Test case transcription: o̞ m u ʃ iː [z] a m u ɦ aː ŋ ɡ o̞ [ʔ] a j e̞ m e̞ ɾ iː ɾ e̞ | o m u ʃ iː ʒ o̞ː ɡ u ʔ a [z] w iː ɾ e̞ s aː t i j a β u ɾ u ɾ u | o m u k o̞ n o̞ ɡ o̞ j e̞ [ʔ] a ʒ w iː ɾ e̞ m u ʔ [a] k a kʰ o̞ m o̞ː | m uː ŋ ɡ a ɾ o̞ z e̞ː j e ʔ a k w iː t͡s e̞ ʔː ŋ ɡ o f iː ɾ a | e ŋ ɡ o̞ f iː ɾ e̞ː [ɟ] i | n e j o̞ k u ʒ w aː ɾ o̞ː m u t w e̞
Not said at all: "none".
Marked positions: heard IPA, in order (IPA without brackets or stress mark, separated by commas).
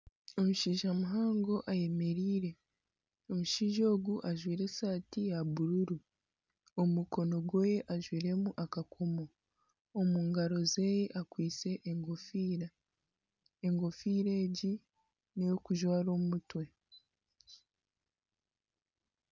ʒ, ʔ, ʒ, ʔ, a, ɟ